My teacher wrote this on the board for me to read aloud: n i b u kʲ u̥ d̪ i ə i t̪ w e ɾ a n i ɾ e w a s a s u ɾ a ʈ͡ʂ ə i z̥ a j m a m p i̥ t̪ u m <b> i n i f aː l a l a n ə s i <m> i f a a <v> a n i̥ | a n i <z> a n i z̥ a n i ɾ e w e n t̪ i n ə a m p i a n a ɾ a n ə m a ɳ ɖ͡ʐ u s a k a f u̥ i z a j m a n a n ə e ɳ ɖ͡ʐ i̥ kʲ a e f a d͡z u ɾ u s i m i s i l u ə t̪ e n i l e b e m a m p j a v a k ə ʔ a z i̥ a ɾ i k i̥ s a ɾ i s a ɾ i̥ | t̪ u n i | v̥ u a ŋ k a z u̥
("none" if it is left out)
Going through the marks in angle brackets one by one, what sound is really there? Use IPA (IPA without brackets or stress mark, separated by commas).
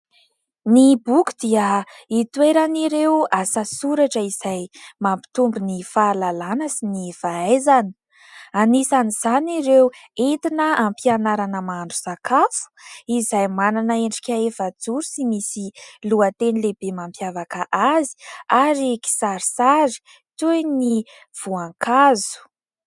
b, n, z, s